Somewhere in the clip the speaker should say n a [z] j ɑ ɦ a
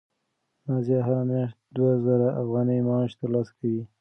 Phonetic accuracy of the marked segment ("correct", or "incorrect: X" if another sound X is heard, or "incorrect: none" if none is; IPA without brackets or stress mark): correct